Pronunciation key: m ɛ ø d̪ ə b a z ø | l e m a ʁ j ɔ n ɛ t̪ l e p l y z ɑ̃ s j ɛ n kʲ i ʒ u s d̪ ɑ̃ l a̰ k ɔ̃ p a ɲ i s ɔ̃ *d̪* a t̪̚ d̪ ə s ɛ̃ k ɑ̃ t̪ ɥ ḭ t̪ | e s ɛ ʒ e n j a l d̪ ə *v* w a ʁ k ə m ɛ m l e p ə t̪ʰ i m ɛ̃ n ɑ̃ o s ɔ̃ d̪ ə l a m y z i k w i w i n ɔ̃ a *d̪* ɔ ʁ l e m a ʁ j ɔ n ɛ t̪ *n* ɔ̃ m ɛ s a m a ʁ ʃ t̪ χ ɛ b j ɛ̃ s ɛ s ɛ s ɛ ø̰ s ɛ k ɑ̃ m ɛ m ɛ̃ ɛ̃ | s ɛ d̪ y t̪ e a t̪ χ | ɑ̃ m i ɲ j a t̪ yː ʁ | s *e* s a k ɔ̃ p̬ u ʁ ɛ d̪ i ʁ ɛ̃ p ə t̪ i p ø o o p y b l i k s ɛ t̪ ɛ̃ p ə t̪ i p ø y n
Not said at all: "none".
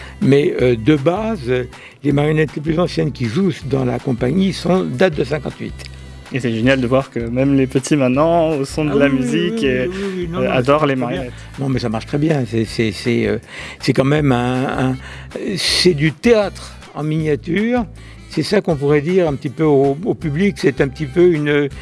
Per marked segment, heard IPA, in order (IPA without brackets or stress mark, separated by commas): d̪, v, d̪, n, ɛ